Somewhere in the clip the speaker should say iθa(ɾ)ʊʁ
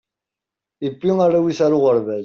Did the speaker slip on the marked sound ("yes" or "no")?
no